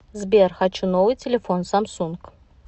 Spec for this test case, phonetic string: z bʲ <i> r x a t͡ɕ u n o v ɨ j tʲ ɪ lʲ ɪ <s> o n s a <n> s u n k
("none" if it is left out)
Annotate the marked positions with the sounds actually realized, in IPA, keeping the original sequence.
e, f, m

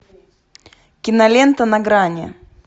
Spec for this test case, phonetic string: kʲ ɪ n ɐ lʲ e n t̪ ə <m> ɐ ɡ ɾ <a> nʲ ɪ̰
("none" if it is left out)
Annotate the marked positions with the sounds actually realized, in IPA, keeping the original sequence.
n, a

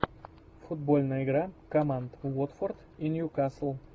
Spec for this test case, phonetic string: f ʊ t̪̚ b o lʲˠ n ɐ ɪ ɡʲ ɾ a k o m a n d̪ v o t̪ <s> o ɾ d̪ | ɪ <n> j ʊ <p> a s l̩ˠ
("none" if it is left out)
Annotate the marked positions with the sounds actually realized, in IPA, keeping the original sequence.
f, n, k

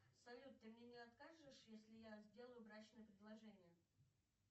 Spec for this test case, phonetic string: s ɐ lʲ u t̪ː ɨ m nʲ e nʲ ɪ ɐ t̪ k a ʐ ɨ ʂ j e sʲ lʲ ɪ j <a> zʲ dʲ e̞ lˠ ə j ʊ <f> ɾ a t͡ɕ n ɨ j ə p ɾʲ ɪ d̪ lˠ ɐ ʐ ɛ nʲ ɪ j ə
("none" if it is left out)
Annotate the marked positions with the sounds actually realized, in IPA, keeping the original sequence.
a, v

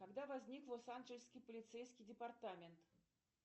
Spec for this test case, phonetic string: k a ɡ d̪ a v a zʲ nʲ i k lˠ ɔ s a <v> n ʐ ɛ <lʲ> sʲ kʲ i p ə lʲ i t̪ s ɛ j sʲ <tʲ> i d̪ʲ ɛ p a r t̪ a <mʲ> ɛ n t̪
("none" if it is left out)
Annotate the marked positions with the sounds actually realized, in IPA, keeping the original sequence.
none, lʲ, kʲ, mʲ

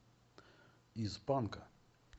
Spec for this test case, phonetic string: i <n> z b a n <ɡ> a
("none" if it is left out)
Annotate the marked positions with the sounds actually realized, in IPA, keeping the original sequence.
none, k

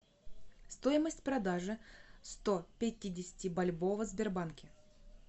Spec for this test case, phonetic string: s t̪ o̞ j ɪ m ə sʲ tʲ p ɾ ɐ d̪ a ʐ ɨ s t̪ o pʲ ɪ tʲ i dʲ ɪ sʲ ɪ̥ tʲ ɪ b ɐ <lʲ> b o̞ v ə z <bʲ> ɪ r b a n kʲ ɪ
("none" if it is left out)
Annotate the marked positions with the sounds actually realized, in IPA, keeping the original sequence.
lʲ, bʲ

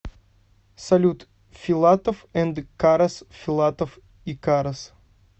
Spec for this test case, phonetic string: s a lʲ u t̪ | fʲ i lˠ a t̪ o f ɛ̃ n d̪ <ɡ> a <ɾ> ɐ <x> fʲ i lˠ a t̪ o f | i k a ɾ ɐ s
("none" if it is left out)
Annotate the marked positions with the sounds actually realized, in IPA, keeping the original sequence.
k, ɾ, s

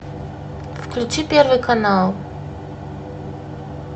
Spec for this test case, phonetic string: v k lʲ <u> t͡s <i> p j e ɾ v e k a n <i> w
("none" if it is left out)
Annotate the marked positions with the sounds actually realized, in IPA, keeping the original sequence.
u, i, a

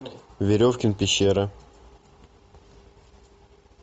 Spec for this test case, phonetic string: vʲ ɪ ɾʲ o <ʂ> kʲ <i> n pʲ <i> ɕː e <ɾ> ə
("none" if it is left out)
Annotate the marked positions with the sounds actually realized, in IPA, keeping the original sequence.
f, ɪ, ɪ, ɾ

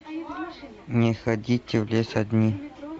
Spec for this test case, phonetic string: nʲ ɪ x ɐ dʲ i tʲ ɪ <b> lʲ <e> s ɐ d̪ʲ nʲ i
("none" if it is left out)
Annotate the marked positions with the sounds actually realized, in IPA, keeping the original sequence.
v, e

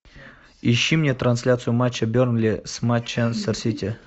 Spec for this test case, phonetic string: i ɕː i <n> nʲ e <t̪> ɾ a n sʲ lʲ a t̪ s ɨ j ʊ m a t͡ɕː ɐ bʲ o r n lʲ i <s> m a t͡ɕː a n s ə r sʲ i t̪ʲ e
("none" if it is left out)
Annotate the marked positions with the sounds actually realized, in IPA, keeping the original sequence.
m, t̪, s

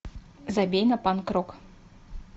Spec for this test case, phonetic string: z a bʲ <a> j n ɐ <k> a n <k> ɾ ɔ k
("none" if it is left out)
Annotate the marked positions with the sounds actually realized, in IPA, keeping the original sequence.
e, p, k

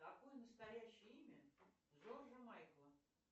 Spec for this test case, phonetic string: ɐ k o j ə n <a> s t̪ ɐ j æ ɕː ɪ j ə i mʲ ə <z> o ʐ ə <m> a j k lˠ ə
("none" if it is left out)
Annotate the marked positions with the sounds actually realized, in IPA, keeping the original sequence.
ə, z, m

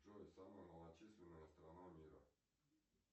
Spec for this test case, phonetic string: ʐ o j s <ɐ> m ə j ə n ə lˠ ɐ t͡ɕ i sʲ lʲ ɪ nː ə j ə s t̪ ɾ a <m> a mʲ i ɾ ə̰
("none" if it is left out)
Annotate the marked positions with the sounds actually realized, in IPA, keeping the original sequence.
a, n

